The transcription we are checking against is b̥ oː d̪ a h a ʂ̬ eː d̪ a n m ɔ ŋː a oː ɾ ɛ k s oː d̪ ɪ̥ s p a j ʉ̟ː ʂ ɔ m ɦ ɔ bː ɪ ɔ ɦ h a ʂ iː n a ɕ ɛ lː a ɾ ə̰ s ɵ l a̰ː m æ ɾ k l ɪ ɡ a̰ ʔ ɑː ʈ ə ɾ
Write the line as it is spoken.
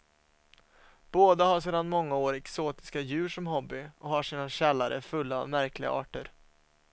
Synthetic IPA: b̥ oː d̪ a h a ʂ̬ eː d̪ a n m ɔ ŋː a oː ɾ ɛ k s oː t̪ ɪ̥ s k a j ʉ̟ː ʂ ɔ m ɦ ɔ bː ɪ ɔ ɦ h a ʂ iː n a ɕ ɛ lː a ɾ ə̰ f ɵ lː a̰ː m æ ɾ k l ɪ ɡ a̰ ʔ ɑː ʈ ə ɾ

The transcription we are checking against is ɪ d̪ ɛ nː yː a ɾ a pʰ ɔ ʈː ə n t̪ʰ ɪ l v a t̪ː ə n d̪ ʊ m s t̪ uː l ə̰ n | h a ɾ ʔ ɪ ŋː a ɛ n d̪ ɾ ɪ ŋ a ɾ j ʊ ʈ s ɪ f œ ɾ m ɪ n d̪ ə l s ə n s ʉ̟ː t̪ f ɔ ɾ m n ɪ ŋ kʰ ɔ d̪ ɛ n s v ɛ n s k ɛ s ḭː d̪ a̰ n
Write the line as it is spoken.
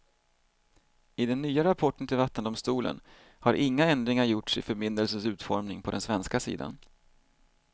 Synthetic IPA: ɪ d̪ ɛ nː yː a ɾ a pʰ ɔ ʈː ə n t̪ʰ ɪ l v a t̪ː ə n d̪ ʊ m s t̪ uː l ə̰ n | h a ɾ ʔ ɪ ŋː a ɛ n d̪ ɾ ɪ ŋ a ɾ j ʊ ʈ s ɪ f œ ɾ m ɪ n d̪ ə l s ə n s ʉ̟ː t̪ f ɔ ɾ m n ɪ ŋ pʰ ɔ d̪ ɛ n s v ɛ n s k a s ḭː d̪ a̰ n

